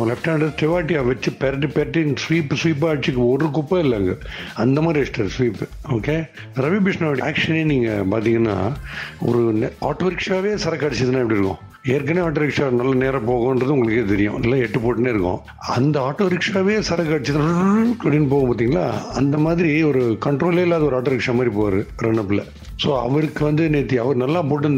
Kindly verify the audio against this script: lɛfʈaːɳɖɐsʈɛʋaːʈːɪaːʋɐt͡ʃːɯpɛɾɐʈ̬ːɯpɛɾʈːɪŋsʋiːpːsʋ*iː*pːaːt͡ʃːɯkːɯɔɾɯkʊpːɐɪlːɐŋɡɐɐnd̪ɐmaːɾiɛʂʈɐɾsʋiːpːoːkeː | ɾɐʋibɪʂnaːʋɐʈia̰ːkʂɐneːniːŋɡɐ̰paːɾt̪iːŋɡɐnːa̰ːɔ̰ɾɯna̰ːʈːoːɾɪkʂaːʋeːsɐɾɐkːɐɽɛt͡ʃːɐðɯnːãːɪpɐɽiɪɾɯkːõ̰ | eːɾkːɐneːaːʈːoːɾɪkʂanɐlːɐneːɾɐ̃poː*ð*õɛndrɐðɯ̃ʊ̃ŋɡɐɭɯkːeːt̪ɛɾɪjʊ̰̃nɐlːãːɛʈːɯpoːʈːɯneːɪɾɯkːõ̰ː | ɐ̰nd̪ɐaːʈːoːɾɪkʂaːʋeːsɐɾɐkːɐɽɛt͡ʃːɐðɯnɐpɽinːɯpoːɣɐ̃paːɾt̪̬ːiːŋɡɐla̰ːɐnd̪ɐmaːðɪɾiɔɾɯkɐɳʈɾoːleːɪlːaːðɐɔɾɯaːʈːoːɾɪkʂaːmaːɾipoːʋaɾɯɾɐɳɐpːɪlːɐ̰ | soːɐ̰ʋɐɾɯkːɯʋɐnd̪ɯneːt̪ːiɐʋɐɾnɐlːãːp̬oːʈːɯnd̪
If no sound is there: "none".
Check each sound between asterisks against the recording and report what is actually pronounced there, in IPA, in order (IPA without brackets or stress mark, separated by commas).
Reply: iː, ɣ